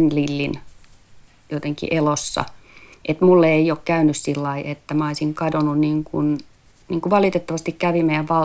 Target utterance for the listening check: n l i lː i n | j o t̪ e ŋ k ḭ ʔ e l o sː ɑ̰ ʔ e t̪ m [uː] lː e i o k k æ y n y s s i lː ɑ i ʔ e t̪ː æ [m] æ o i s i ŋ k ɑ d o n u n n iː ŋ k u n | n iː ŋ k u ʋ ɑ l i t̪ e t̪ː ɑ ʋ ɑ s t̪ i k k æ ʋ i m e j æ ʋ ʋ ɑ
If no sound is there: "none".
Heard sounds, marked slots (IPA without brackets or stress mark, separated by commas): u, m